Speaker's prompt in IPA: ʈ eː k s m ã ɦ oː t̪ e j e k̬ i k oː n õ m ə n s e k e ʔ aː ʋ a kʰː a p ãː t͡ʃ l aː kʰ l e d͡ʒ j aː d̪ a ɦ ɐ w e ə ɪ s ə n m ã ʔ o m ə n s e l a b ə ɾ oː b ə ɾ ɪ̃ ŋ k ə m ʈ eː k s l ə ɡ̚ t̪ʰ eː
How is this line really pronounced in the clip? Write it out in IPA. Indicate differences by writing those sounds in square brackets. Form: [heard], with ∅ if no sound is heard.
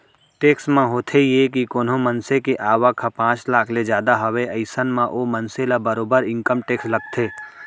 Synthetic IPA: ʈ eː k s m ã ɦ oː [t̪ʰ] e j e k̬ i k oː n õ m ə n s e k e ʔ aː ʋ a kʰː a p ãː t͡ʃ l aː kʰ l e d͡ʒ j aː d̪ a ɦ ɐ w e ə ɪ s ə n m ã ʔ o m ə n s e l a b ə ɾ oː b ə ɾ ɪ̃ ŋ k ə m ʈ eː k s l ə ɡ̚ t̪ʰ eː